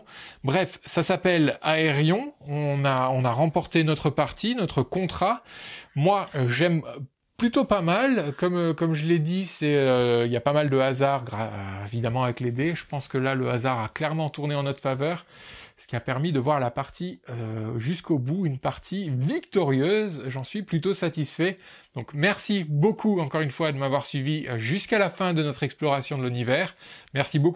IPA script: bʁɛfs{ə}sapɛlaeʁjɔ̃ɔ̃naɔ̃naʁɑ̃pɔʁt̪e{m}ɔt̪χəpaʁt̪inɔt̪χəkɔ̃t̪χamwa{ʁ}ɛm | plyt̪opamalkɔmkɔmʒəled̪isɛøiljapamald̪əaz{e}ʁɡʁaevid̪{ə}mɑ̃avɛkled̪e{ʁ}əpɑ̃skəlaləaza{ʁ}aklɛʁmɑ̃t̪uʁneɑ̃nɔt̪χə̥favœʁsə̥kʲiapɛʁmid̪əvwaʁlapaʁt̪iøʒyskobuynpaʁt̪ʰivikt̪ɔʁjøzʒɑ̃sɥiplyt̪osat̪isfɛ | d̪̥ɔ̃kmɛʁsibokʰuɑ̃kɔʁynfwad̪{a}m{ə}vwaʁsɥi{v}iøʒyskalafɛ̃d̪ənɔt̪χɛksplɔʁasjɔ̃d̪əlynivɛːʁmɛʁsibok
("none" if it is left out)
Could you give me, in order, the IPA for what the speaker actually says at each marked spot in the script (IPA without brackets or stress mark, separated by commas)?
a, n, ʒ, a, a, ʒ, ʁ, ə, a, v